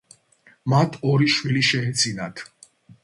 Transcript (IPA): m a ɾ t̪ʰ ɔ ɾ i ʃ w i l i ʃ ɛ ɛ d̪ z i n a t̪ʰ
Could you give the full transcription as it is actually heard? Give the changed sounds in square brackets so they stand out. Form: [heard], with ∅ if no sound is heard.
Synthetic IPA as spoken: m a [∅] t̪ʰ ɔ ɾ i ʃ w i l i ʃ ɛ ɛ d̪ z i n a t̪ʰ